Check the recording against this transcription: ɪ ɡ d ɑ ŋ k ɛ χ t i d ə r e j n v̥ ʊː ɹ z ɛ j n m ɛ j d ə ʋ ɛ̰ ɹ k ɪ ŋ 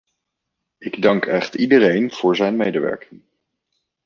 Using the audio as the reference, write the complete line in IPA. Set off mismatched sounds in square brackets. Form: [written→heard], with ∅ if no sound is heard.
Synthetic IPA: ɪ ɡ d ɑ ŋ k ɛ χ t i d ə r e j n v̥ ʊː ɹ z ɛ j n m [ɛ→e] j d ə ʋ ɛ̰ ɹ k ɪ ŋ